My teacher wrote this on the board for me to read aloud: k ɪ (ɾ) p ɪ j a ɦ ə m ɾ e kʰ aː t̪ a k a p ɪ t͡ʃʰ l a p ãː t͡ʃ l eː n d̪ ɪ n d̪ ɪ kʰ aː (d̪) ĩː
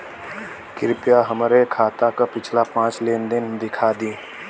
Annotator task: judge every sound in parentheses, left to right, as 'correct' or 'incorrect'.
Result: correct, correct

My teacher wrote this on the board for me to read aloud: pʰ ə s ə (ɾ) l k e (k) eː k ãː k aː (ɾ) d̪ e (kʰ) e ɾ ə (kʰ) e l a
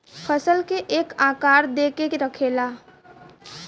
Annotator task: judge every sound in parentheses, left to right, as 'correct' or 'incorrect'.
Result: incorrect, incorrect, correct, incorrect, correct

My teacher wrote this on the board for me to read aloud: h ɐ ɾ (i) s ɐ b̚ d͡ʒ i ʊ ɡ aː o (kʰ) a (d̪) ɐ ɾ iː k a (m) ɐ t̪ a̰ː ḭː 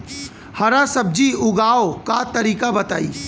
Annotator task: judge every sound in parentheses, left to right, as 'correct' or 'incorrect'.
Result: incorrect, incorrect, incorrect, incorrect

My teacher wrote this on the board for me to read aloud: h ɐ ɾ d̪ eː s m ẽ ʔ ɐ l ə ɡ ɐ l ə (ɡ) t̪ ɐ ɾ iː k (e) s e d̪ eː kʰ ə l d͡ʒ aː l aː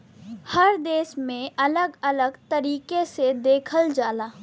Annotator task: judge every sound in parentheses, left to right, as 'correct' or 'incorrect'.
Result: correct, correct

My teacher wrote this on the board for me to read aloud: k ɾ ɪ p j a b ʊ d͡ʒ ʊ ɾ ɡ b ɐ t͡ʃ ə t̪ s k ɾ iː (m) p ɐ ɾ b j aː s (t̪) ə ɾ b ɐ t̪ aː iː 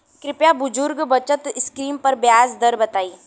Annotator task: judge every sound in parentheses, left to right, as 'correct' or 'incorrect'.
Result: correct, incorrect

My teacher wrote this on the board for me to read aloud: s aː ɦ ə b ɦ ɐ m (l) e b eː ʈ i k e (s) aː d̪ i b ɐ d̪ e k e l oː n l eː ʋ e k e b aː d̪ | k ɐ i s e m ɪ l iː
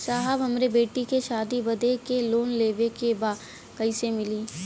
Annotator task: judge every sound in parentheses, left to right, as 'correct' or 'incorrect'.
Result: incorrect, incorrect

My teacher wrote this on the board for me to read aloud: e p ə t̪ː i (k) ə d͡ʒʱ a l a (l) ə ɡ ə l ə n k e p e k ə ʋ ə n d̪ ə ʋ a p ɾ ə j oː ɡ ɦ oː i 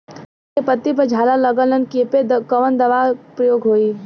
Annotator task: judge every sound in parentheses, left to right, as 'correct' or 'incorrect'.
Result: incorrect, correct

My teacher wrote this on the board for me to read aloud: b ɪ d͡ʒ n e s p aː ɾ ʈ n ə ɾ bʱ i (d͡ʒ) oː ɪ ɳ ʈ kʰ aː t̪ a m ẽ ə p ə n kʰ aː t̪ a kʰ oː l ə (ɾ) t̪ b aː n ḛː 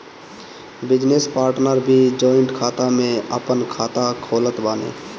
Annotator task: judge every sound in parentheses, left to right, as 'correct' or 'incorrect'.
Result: correct, incorrect

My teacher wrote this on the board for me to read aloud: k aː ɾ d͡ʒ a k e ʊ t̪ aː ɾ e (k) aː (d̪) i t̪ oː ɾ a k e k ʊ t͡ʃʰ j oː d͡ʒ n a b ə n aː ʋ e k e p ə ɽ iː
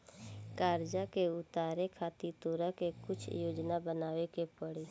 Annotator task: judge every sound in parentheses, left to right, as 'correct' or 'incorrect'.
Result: incorrect, incorrect

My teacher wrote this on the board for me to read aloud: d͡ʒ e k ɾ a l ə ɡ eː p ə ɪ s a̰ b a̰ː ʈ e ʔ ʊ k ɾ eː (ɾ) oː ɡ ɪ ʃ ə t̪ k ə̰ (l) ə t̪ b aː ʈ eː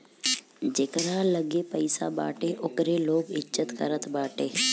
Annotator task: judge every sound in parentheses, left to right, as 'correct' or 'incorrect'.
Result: incorrect, incorrect

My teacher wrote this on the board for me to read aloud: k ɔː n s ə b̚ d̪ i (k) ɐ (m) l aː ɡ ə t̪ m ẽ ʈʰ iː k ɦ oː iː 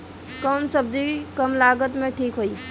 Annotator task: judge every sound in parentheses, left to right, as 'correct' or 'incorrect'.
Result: correct, correct

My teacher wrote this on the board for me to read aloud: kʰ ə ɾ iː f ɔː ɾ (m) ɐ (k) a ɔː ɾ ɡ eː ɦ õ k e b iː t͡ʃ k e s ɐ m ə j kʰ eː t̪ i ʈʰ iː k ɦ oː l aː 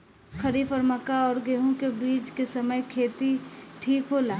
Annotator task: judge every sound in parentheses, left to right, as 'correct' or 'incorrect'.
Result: correct, correct

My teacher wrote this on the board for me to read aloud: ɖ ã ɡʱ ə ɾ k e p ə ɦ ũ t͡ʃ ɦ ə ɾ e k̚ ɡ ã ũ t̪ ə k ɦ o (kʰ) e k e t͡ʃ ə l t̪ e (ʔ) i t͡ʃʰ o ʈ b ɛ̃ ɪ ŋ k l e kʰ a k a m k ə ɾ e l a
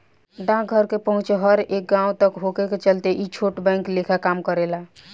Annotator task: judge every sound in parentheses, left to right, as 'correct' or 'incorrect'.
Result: incorrect, correct

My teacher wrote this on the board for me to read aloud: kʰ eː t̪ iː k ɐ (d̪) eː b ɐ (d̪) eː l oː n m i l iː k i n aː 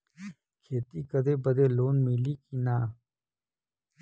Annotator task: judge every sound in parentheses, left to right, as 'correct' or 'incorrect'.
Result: correct, correct

